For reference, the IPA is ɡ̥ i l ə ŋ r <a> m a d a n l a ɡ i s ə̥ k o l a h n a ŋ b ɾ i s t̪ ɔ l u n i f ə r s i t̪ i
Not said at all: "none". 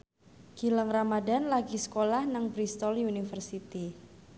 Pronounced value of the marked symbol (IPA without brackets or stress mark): a